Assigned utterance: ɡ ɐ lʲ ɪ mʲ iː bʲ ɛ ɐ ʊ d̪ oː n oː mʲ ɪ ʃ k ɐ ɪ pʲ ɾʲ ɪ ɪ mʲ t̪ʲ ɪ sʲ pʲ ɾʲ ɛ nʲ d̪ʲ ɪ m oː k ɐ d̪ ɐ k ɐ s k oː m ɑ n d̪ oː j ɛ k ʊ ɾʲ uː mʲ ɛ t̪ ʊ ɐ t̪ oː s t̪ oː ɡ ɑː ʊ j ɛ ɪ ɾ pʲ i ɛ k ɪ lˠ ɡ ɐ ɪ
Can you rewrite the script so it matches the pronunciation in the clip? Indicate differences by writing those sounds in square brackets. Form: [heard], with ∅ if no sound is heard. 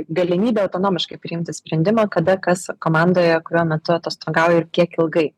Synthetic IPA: ɡ ɐ lʲ ɪ mʲ iː bʲ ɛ ɐ ʊ [t̪] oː n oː mʲ ɪ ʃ k ɐ ɪ pʲ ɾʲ ɪ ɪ mʲ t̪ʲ ɪ sʲ pʲ ɾʲ ɛ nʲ d̪ʲ ɪ m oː k ɐ d̪ ɐ k ɐ s k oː m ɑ n d̪ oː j ɛ k ʊ ɾʲ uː mʲ ɛ t̪ ʊ ɐ t̪ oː s t̪ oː ɡ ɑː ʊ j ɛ ɪ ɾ [kʲ] i ɛ k ɪ lˠ ɡ ɐ ɪ